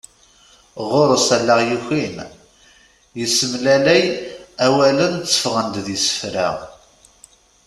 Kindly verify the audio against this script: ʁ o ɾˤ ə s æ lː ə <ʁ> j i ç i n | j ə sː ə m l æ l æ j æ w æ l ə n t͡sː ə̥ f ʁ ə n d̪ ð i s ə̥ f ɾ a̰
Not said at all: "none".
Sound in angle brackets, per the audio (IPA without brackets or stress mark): ʁ